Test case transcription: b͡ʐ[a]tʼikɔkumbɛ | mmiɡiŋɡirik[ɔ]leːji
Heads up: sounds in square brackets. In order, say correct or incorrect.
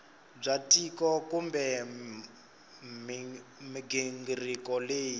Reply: correct, correct

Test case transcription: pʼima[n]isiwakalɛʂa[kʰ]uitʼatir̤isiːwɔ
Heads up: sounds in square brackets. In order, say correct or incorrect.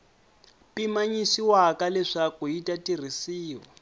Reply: incorrect: ɲ, incorrect: k

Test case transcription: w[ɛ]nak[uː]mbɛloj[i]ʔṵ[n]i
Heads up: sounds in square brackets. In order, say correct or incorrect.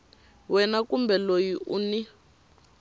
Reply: correct, incorrect: u, correct, correct

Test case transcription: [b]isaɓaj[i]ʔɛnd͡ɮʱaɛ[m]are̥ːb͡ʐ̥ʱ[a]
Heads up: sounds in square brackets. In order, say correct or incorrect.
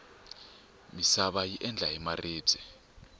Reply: incorrect: m, correct, correct, incorrect: ɛ

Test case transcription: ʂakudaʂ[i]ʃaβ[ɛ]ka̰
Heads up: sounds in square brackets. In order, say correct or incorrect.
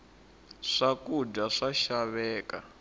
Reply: incorrect: a, incorrect: ɛː

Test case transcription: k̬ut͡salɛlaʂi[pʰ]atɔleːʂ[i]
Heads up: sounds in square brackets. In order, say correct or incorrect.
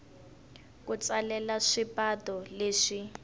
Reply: incorrect: p, correct

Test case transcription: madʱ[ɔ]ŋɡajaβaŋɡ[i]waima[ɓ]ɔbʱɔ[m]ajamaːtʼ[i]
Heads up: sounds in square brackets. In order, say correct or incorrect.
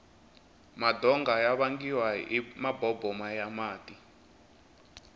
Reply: correct, correct, incorrect: b, correct, correct

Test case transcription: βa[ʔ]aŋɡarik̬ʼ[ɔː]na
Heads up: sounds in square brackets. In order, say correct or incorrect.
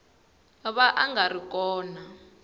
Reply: correct, correct

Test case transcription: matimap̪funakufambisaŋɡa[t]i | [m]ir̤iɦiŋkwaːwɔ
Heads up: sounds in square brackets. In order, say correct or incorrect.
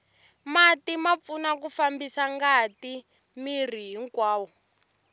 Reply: correct, correct

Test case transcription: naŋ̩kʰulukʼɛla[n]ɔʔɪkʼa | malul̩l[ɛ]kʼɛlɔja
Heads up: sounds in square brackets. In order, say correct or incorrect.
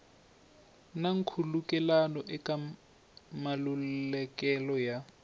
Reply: correct, correct

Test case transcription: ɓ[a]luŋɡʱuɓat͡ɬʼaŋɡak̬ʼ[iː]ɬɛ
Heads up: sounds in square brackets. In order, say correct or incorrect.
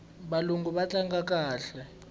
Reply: correct, incorrect: aː

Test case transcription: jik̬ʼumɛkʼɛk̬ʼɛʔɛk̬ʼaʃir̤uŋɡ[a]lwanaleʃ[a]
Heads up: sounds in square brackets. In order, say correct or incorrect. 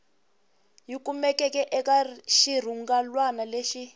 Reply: correct, incorrect: i

